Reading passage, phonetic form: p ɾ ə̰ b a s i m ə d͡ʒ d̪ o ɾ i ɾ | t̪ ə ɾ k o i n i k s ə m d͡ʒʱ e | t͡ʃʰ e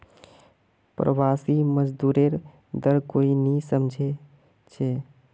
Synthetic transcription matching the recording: p ɾ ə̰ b a s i m ə d͡ʒ d̪ u ɾ e ɾ | d̪ ə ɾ k o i n i s ə m d͡ʒʱ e | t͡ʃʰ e

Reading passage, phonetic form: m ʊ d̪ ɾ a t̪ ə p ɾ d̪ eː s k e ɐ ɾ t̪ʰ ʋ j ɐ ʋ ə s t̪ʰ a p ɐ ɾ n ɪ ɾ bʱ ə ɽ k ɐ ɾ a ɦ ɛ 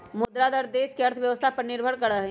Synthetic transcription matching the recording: m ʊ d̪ ɾ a d̪ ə ɾ d̪ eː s k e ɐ ɾ t̪ʰ ʋ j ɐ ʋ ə s t̪ʰ a p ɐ ɾ n ɪ ɾ bʱ ə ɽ k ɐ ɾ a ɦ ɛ

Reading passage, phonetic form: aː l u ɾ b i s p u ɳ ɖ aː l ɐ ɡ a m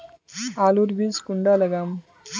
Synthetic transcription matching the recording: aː l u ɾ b i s k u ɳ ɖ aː l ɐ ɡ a m

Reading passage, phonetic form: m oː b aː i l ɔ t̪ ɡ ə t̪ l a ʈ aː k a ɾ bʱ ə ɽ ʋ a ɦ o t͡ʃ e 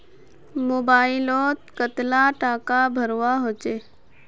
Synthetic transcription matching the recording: m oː b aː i l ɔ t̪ k ə t̪ l a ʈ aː k a bʱ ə ɾ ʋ a ɦ o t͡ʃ e

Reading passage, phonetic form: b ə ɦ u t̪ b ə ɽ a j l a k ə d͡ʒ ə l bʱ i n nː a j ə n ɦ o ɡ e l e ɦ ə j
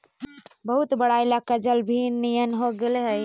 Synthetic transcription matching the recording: b ə ɦ u t̪ b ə ɽ a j l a k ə d͡ʒ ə l bʱ i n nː i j ə n ɦ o ɡ e l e ɦ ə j

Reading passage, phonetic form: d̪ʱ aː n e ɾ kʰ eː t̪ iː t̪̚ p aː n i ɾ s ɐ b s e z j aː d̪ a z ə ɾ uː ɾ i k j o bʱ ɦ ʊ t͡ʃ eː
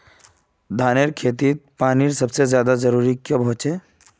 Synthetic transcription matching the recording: d̪ʱ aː n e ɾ kʰ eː t̪ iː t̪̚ p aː n i ɾ s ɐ b s e z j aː d̪ a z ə ɾ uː ɾ i k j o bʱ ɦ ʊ t͡ʃ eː

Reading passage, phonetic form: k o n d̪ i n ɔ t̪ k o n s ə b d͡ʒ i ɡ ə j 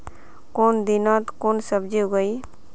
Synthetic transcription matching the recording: k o n d̪ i n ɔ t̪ k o n s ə b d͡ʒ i ɡ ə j

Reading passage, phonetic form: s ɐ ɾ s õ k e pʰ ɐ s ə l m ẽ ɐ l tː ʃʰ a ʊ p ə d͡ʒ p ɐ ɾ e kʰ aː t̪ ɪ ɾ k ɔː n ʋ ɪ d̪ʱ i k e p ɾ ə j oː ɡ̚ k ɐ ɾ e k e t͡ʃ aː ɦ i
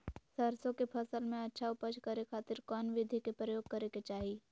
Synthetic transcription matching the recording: s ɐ ɾ s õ k e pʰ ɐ s ə l m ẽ ɐ tː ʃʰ a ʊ p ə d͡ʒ k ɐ ɾ e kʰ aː t̪ ɪ ɾ k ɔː n ʋ ɪ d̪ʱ i k e p ɾ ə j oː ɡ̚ k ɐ ɾ e k e t͡ʃ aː ɦ i

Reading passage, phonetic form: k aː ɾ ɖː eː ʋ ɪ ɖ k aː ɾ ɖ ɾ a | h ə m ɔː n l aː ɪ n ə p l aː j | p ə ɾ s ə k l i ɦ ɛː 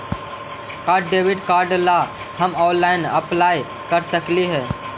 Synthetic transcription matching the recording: k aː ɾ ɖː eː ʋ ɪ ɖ k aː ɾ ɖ l a | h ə m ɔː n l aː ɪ n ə p l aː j | k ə ɾ s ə k l i ɦ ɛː

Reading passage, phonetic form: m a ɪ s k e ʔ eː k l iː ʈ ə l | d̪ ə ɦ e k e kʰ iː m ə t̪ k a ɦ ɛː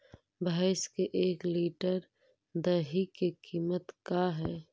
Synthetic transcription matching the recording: b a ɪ s k e ʔ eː k l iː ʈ ə ɾ | d̪ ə ɦ i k e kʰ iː m ə t̪ k a ɦ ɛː

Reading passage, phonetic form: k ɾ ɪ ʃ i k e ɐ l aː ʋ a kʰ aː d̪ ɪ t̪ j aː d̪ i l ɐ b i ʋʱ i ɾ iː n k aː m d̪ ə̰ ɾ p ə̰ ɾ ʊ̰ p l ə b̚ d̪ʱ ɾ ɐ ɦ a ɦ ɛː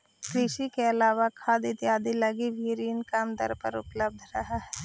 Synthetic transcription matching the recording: k ɾ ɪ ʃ i k e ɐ l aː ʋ a kʰ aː d̪ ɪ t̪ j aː d̪ i l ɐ ɡ i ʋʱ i ɾ iː n k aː m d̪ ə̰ ɾ p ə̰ ɾ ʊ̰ p l ə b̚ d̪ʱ ɾ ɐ ɦ a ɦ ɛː

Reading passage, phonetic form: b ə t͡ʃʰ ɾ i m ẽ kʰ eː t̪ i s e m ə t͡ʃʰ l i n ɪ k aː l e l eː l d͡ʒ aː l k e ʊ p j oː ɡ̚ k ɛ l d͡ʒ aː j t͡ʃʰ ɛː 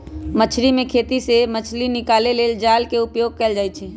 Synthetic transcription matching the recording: m ə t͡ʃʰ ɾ i m ẽ kʰ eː t̪ i s e m ə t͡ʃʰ l i n ɪ k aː l e l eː l d͡ʒ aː l k e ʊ p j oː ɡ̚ k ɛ l d͡ʒ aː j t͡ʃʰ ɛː

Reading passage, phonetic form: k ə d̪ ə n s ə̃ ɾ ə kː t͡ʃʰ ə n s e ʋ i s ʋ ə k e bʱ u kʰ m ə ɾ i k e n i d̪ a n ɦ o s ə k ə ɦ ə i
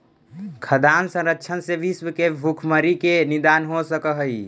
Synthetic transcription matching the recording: kʰ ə d̪ a n s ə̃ ɾ ə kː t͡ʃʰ ə n s e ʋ i s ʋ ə k e bʱ u kʰ m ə ɾ i k e n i d̪ a n ɦ o s ə k ə ɦ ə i

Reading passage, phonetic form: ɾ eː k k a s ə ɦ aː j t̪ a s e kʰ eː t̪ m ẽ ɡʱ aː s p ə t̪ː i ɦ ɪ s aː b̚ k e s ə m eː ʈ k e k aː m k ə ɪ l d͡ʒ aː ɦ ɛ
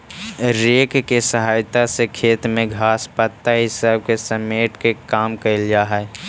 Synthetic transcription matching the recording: ɾ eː k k e s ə ɦ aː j t̪ a s e kʰ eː t̪ m ẽ ɡʱ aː s p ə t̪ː a ɦ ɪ s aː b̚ k e s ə m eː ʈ k e k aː m k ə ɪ l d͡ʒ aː ɦ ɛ

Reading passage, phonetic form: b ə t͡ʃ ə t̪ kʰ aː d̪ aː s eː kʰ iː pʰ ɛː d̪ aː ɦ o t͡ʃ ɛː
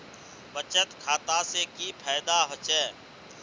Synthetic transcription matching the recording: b ə t͡ʃ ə t̪ kʰ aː t̪ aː s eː k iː pʰ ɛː d̪ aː ɦ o t͡ʃ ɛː

